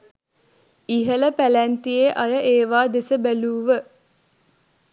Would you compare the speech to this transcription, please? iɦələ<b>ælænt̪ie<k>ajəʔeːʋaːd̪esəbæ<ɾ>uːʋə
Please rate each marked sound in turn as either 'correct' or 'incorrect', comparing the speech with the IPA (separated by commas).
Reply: incorrect, incorrect, incorrect